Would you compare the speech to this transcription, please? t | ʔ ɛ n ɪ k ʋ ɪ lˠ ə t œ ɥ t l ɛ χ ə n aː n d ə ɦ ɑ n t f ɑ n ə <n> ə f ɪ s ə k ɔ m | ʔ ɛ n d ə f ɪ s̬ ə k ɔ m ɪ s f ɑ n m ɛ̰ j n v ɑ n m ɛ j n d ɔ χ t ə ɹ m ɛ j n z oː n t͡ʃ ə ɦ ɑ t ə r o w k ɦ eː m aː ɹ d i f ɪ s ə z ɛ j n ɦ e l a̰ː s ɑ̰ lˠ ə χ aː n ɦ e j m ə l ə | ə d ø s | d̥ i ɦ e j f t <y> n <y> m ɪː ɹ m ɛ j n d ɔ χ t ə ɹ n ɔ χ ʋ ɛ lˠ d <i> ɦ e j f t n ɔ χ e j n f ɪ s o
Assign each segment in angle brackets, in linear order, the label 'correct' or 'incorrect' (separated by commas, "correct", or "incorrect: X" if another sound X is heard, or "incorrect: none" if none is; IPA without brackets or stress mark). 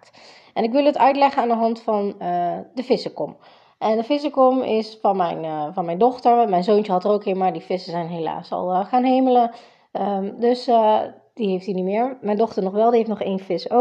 incorrect: d, incorrect: i, incorrect: i, correct